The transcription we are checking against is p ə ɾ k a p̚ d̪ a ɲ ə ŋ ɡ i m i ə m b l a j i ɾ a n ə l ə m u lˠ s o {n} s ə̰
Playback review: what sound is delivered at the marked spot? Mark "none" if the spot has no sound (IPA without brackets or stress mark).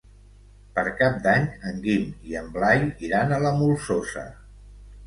none